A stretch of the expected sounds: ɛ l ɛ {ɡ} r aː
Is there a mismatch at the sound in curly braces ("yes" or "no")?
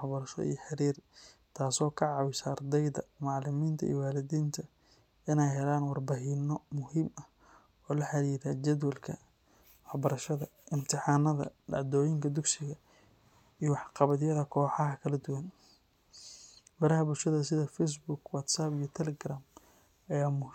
no